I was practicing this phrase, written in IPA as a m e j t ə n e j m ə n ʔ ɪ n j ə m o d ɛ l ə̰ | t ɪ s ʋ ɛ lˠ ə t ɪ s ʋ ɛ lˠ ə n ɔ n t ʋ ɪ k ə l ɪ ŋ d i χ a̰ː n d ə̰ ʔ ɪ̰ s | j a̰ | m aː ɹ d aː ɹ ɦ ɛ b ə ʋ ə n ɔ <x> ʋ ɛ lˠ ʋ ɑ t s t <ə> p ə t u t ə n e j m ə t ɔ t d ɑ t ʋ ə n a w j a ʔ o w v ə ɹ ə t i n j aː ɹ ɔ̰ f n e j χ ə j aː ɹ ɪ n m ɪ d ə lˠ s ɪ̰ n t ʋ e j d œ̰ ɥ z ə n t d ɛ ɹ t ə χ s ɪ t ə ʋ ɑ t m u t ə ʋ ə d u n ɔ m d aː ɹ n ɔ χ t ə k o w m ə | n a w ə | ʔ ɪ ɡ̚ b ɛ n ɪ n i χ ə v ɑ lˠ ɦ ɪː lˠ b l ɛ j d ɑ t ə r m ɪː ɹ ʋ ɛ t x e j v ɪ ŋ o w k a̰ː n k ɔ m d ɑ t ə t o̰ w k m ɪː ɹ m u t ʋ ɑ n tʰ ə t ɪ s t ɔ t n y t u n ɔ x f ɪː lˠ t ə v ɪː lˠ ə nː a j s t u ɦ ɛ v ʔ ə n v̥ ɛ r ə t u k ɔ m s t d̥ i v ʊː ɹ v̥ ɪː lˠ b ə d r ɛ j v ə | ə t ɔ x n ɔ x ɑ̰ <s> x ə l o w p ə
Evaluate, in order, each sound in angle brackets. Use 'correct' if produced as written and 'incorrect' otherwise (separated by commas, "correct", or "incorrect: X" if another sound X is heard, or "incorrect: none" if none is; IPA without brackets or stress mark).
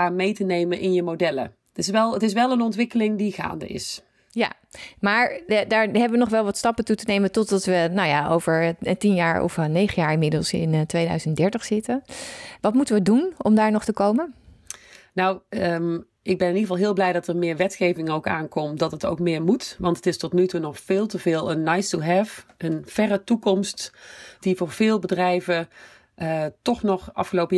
incorrect: χ, incorrect: ɑ, incorrect: f